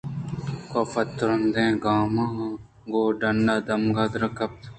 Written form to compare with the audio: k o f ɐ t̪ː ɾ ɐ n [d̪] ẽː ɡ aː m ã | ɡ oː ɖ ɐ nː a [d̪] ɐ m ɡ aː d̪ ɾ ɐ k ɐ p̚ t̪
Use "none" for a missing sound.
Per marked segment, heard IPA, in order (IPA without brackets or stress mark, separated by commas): d̪, d̪